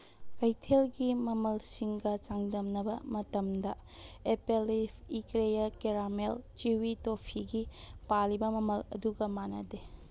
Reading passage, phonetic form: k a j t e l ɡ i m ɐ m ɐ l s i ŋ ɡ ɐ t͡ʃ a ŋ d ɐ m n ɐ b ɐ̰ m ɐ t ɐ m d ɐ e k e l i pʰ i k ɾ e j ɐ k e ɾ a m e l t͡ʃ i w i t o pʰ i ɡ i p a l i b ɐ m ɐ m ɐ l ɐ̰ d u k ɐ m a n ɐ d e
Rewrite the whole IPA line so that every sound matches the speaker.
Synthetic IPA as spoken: k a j tʰ e l ɡ i m ɐ m ɐ l s i ŋ ɡ ɐ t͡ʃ a ŋ d ɐ m n ɐ b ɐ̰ m ɐ t ɐ m d ɐ e p e l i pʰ i k ɾ e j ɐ k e ɾ a m e l t͡ʃ i w i t o pʰ i ɡ i p a l i b ɐ m ɐ m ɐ l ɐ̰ d u ɡ ɐ m a n ɐ d e